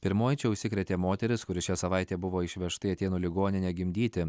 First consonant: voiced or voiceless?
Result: voiceless